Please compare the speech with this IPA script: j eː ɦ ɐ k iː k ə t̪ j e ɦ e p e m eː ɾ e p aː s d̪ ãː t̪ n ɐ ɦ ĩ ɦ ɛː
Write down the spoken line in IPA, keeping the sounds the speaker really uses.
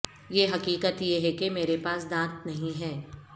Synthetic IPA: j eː ɦ ɐ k iː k ə t̪ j e ɦ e k e m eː ɾ e p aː s d̪ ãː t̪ n ɐ ɦ ĩ ɦ ɛː